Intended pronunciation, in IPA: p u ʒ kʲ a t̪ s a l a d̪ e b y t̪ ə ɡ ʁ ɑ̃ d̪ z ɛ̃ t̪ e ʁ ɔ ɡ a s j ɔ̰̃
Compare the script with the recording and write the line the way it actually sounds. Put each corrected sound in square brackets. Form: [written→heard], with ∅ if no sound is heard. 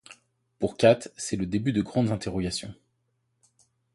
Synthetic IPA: p u [ʒ→ʁ] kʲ a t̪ s [a→ɛ] l [a→ə] d̪ e b y [t̪→d̪] ə ɡ ʁ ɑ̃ d̪ z ɛ̃ t̪ e ʁ ɔ ɡ a s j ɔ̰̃